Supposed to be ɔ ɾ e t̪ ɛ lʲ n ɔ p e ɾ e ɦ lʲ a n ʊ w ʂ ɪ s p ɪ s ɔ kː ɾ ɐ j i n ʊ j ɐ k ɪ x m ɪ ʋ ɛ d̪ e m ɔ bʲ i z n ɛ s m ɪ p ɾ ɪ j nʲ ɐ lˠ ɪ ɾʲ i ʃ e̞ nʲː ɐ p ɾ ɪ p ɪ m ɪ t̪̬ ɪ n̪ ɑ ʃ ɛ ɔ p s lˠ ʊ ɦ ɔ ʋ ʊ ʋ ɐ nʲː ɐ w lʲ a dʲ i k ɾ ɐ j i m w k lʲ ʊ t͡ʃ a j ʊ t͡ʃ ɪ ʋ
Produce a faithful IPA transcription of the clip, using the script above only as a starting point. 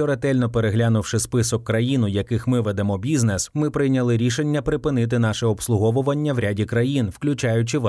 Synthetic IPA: ɔ ɾ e t̪ ɛ lʲ n ɔ p e ɾ e ɦ lʲ a n ʊ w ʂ ɪ s p ɪ s ɔ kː ɾ ɐ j i n ʊ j ɐ k ɪ x m ɪ ʋ ɛ d̪ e m ɔ bʲ i z n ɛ s m ɪ p ɾ ɪ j nʲ ɐ lˠ ɪ ɾʲ i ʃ e̞ nʲː ɐ p ɾ ɪ p ɪ n ɪ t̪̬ ɪ n̪ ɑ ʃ ɛ ɔ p s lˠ ʊ ɦ ɔ ʋ ʊ ʋ ɐ nʲː ɐ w ɾʲ a dʲ i k ɾ ɐ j i n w k lʲ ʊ t͡ʃ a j ʊ t͡ʃ ɪ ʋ